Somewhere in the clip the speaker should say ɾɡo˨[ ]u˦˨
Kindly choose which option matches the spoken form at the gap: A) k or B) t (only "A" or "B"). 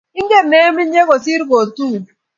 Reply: B